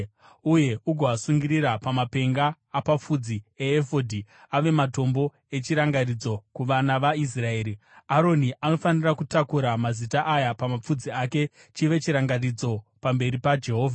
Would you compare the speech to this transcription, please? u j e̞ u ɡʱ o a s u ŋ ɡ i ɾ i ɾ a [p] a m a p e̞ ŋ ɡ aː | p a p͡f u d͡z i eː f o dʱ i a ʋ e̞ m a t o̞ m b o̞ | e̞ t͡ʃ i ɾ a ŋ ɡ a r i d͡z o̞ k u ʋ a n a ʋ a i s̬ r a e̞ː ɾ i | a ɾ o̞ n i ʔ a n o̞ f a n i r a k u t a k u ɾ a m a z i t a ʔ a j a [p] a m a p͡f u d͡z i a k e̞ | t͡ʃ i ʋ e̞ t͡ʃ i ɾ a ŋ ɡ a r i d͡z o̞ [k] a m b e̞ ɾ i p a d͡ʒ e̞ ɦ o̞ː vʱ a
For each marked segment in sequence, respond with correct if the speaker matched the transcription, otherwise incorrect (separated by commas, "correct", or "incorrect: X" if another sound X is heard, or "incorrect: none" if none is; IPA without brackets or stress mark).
correct, correct, incorrect: p